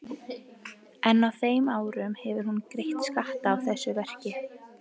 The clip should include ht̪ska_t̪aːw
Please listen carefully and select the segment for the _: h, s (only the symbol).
h